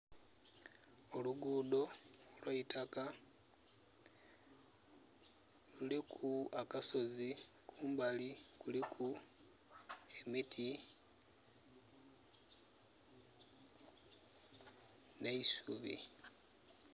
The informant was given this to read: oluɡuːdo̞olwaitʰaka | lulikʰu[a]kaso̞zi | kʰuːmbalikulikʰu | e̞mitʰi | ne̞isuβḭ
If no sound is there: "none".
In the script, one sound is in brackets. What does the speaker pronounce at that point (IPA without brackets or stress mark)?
a